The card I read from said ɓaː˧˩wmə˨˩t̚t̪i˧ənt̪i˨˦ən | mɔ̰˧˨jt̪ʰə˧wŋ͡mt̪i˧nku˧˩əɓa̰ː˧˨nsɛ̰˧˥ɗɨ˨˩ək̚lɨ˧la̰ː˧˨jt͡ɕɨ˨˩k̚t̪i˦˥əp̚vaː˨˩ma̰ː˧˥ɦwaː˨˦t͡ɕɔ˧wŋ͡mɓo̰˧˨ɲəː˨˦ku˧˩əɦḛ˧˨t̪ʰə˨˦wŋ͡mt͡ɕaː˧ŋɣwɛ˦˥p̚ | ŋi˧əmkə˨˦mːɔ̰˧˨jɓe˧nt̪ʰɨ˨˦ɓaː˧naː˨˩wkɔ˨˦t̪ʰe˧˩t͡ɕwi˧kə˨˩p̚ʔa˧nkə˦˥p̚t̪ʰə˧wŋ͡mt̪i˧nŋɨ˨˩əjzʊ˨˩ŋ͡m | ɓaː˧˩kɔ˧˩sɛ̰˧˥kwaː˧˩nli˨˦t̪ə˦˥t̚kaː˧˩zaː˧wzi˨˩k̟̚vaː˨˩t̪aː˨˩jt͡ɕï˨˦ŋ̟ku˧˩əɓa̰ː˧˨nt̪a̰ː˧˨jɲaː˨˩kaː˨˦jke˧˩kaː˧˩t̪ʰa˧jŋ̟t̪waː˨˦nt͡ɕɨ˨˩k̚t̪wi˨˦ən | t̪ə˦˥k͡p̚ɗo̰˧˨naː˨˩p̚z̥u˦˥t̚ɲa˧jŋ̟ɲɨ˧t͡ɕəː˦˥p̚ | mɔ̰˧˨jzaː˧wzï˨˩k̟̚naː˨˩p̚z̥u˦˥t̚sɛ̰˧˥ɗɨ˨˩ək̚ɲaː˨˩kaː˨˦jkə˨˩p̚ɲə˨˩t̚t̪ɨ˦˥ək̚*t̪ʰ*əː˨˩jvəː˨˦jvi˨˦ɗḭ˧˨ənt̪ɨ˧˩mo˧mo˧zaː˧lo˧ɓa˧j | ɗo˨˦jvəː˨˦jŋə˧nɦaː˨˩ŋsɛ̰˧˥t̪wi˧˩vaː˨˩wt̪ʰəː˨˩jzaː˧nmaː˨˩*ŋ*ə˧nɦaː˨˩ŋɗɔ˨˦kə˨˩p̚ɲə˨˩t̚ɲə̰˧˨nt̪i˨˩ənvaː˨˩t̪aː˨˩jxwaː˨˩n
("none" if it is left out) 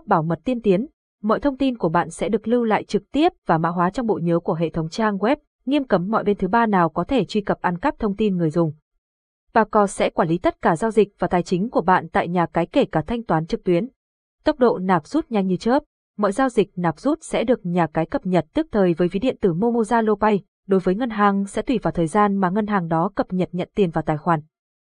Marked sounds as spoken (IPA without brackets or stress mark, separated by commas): t̪ʰ, ŋ